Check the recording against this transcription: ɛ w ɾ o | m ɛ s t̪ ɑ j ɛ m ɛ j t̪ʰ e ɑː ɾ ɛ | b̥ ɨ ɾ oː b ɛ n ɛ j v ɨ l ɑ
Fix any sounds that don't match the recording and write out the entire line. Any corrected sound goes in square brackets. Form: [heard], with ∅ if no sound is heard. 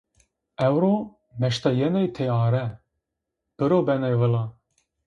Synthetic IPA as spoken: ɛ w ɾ o | m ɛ [ʃ] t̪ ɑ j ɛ [n] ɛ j t̪ʰ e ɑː ɾ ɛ | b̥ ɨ ɾ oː b ɛ n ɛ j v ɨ l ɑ

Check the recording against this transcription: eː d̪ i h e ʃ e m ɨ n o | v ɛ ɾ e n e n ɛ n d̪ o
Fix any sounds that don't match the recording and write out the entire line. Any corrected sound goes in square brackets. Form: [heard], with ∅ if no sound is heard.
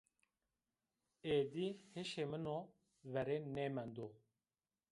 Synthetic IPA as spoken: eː d̪ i h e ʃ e m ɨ n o | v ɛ ɾ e n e [m] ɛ n d̪ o

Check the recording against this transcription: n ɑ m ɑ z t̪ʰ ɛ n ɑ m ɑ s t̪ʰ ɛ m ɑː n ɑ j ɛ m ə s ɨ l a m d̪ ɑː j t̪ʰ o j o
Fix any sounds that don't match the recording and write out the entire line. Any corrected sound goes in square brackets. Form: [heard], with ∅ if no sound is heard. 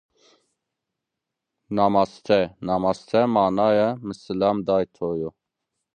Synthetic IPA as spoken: n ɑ m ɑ [s] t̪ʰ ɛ n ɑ m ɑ s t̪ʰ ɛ m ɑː n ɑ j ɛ m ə s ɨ l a m d̪ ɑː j t̪ʰ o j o

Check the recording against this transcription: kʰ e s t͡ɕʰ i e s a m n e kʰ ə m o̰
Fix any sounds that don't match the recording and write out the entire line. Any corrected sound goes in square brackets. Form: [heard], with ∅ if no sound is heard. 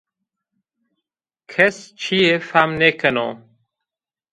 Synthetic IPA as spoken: kʰ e s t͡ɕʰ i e [f] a m n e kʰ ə [n] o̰

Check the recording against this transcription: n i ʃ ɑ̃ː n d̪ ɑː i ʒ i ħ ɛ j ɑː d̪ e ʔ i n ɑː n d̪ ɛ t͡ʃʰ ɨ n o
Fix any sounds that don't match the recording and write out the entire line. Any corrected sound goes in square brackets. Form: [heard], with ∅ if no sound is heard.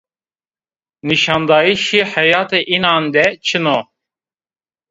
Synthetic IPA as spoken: n i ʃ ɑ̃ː n d̪ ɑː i [ʃ] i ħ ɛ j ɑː [t̪] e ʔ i n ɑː n d̪ ɛ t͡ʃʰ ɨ n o

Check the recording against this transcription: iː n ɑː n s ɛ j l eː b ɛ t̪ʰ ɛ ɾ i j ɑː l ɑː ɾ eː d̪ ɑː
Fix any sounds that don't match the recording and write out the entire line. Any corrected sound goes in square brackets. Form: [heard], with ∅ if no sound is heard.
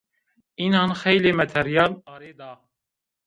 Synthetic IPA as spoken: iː n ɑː n [x] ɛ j l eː [m] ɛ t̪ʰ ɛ ɾ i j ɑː l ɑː ɾ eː d̪ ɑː

